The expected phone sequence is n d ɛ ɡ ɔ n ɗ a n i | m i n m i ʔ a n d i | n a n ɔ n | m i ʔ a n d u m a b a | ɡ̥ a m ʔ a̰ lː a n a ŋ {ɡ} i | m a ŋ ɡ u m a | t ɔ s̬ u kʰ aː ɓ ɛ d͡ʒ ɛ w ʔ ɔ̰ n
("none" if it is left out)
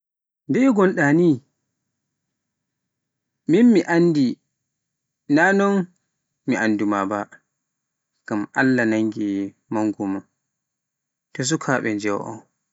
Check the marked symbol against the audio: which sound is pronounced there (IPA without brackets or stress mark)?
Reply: ɡ